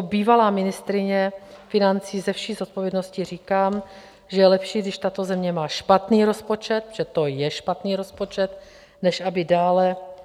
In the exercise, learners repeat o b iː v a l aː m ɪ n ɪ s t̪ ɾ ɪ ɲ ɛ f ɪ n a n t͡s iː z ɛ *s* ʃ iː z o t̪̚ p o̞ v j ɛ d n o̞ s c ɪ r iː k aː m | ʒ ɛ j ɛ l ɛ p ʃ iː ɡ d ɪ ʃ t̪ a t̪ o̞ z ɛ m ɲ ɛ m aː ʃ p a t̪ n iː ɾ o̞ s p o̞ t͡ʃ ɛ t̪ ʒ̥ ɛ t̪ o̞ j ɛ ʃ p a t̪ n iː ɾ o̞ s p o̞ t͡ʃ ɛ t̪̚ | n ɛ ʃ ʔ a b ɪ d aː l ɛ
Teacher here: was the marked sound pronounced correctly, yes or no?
no